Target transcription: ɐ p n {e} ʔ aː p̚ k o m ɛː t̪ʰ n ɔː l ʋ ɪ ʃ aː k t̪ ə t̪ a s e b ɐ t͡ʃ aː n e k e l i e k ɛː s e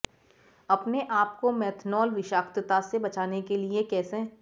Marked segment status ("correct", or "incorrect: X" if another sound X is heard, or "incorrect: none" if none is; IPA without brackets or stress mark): correct